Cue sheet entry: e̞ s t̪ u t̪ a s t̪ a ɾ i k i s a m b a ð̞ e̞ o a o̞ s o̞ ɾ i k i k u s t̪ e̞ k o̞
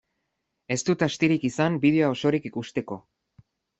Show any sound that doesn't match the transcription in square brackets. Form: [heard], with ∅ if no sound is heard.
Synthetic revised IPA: e̞ s t̪ u t̪ a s t̪ [i] ɾ i k i s a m b [i] ð̞ e̞ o a o̞ s o̞ ɾ i k i k u s t̪ e̞ k o̞